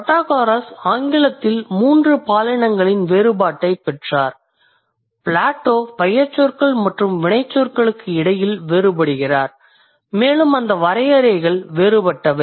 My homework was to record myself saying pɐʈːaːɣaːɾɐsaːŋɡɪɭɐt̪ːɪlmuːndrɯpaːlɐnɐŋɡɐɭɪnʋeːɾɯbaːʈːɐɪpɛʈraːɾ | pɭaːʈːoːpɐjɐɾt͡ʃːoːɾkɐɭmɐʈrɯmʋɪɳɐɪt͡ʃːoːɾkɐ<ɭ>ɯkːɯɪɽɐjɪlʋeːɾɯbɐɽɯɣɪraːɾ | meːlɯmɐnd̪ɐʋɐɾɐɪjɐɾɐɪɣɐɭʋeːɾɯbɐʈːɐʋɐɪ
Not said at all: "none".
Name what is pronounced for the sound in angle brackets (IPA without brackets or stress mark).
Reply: ɭ